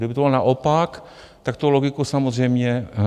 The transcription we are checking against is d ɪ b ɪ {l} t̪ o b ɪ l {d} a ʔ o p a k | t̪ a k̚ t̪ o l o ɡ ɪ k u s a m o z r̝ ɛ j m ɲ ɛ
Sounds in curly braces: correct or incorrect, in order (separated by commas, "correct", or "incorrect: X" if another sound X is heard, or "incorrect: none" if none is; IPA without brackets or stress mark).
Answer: incorrect: none, incorrect: n